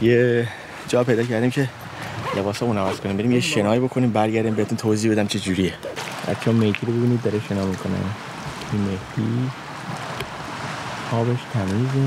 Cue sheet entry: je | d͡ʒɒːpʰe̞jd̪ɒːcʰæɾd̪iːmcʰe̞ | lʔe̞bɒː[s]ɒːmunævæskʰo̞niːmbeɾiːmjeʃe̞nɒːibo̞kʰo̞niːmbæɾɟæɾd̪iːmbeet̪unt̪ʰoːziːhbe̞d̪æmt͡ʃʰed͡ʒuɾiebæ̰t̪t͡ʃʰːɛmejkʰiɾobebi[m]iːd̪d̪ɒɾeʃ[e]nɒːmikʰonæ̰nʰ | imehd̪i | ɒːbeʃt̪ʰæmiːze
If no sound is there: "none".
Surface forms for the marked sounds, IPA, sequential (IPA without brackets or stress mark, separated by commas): s, n, e